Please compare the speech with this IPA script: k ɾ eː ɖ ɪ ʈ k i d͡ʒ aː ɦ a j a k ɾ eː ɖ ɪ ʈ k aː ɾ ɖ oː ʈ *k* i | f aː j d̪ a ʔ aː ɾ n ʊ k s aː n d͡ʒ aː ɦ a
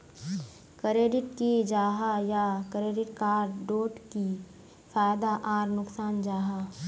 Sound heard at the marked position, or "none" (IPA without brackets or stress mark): k